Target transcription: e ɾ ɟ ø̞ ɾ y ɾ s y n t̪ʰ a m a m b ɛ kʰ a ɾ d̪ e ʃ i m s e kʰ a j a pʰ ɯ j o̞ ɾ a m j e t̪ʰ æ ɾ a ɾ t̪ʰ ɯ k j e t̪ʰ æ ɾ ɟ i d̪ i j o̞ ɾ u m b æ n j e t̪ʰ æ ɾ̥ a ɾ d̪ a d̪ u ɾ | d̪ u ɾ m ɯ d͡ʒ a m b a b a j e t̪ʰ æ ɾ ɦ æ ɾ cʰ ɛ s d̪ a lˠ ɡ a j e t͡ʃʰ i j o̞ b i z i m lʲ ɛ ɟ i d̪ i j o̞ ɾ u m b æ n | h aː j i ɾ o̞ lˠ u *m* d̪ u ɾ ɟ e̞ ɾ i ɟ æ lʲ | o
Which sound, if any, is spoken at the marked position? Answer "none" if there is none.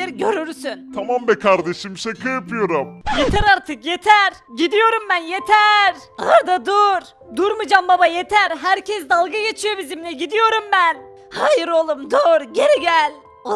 m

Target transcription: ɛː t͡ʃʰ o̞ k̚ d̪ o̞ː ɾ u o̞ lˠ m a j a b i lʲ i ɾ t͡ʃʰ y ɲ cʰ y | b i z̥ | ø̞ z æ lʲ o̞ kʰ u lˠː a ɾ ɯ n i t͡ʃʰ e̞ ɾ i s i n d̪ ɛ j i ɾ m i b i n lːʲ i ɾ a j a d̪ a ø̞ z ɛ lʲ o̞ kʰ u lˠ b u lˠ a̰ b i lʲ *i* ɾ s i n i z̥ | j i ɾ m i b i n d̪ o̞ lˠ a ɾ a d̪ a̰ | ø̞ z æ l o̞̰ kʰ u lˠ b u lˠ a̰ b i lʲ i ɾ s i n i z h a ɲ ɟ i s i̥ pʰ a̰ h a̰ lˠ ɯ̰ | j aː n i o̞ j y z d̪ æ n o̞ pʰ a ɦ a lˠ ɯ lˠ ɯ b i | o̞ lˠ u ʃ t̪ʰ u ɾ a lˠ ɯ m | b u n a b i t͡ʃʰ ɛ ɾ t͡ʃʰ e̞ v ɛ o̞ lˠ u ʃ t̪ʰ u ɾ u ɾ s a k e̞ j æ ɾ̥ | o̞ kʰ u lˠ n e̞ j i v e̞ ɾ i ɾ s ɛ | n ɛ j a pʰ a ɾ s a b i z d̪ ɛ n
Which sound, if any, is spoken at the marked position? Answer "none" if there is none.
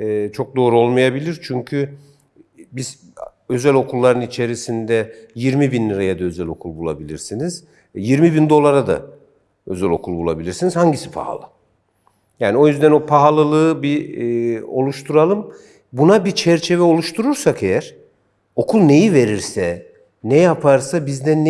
i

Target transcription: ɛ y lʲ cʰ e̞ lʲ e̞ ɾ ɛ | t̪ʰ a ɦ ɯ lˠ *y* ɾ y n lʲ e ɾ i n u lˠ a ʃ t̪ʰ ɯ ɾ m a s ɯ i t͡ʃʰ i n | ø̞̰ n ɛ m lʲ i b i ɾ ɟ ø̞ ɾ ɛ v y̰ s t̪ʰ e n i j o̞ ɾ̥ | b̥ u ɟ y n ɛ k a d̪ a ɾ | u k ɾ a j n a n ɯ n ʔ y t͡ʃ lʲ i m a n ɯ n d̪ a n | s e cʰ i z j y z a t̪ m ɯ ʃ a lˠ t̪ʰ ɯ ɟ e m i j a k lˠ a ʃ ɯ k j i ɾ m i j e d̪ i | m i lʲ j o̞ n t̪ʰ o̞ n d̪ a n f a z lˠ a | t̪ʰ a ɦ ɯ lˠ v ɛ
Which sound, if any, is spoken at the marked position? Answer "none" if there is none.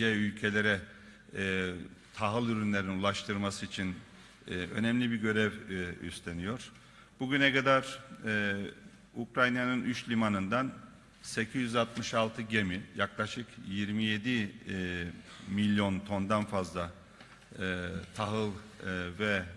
y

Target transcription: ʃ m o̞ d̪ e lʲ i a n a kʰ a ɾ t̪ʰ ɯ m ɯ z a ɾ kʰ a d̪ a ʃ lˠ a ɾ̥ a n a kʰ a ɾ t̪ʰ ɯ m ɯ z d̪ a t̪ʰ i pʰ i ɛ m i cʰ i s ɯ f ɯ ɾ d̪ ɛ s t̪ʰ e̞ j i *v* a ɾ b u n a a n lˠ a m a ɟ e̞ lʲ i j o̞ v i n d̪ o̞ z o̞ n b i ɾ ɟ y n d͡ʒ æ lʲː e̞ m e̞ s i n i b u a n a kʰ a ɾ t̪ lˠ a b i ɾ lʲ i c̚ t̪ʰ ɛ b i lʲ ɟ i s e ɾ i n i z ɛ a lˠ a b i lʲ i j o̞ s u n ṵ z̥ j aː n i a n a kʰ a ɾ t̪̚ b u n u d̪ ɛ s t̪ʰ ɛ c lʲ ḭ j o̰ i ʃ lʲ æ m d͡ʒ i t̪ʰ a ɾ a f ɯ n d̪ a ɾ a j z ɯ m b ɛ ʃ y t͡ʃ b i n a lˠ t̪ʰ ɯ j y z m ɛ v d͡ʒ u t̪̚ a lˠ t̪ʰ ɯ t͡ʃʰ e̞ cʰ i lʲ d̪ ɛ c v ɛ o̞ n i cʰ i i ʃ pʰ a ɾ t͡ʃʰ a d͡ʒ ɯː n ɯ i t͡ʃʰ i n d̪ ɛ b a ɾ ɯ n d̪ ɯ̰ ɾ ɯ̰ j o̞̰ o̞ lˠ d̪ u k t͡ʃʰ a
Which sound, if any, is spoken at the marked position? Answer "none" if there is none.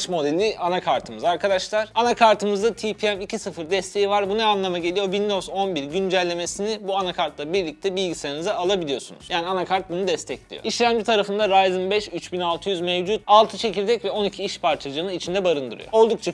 v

